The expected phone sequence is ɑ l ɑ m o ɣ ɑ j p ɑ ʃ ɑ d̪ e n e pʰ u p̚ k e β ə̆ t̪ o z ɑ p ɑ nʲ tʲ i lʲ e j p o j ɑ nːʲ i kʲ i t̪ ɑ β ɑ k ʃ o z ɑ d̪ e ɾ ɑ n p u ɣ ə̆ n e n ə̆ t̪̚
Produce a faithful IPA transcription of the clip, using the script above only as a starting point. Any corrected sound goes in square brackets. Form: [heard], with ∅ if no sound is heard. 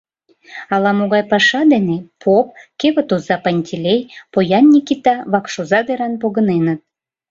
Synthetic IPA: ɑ l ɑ m o ɣ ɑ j p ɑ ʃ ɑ d̪ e n e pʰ [o] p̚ k e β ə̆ t̪ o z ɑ p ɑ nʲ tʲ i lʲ e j p o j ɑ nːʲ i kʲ i t̪ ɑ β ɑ k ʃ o z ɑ d̪ e ɾ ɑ n p [o] ɣ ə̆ n e n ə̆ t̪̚